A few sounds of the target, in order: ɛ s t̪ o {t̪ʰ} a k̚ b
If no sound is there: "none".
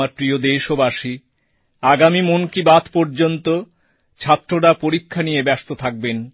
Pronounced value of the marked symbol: t̪ʰ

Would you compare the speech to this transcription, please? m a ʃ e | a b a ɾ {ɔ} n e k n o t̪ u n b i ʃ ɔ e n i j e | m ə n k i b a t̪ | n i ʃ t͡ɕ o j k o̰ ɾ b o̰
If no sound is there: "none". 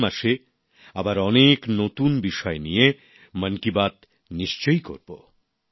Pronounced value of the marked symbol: ɔ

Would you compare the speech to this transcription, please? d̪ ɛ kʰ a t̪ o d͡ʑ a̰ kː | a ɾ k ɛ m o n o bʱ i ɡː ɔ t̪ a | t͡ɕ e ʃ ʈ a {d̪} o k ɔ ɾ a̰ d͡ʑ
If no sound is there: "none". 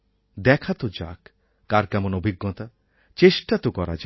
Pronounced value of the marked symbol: t̪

